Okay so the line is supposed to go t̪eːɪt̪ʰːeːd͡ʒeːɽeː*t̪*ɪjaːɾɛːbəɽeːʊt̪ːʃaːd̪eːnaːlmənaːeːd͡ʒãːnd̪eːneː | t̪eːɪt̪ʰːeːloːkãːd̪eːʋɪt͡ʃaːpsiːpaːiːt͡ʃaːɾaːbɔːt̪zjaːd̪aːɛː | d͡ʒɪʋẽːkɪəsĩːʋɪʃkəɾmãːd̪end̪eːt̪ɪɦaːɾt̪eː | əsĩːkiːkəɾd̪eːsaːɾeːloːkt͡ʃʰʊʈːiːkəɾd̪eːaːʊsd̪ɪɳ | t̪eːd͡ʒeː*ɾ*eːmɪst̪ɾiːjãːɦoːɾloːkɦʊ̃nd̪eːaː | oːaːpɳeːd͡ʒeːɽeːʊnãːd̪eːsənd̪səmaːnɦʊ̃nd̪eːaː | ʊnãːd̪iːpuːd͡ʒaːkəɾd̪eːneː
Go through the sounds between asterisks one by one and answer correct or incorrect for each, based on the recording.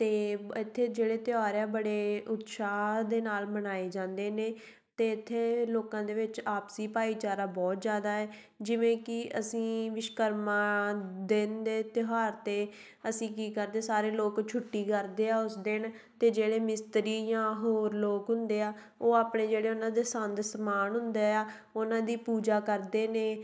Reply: correct, incorrect

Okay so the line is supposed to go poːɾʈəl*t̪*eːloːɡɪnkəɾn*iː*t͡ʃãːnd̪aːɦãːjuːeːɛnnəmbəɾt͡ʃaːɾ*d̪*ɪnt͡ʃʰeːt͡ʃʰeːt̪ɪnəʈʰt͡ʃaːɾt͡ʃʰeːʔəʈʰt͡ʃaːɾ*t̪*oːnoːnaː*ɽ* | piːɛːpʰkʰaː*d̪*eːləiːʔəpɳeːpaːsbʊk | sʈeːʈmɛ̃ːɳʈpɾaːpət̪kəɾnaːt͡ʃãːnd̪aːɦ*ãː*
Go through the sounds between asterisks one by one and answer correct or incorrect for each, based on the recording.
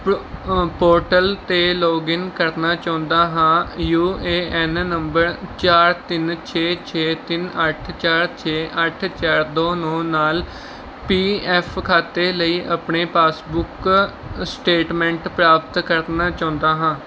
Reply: correct, incorrect, incorrect, incorrect, incorrect, incorrect, correct

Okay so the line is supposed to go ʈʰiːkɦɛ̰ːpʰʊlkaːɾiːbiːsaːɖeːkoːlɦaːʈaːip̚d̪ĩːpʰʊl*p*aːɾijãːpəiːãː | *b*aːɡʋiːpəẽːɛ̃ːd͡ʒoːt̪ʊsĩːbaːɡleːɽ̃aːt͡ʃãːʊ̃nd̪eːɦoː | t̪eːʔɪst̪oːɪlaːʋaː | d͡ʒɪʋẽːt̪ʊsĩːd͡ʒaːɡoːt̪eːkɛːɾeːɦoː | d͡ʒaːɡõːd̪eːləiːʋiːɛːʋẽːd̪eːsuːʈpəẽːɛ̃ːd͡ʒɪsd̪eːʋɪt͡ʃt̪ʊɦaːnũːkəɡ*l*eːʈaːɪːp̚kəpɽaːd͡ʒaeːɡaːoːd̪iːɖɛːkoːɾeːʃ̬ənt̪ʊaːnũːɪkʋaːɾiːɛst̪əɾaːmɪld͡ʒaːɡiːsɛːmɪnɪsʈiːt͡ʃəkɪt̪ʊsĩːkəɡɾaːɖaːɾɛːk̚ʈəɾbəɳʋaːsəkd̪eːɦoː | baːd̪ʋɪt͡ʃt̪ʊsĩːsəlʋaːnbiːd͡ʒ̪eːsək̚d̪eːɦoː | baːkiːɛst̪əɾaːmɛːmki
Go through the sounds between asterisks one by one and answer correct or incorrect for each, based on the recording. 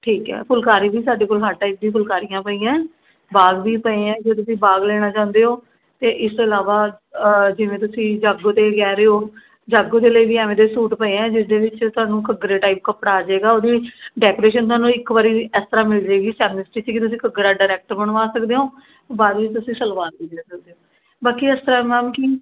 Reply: incorrect, correct, incorrect

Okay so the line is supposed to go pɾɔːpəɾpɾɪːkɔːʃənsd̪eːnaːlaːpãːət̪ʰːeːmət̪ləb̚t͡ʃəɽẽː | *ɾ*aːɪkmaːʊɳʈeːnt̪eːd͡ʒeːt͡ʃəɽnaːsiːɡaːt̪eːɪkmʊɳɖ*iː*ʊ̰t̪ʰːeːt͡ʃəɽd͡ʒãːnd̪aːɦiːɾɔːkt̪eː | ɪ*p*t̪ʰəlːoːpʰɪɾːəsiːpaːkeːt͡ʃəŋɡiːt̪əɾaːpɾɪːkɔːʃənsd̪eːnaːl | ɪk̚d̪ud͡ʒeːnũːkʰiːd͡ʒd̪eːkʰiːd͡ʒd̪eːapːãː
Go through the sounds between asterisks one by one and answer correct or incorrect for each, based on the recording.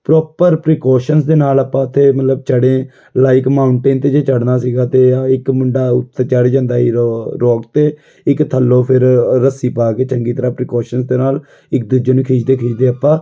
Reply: incorrect, incorrect, incorrect

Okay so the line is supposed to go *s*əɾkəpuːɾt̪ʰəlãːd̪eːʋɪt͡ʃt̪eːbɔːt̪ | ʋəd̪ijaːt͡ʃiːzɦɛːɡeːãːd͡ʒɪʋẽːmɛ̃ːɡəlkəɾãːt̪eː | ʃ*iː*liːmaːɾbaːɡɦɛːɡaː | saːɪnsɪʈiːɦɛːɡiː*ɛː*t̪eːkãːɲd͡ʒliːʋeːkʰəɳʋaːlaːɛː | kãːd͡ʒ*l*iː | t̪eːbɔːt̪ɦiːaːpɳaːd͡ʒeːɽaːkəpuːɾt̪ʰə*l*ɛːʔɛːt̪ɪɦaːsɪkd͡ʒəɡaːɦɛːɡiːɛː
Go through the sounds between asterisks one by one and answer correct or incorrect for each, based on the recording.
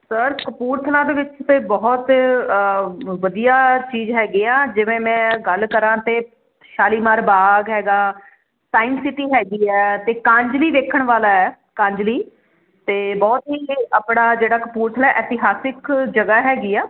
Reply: correct, incorrect, correct, correct, correct

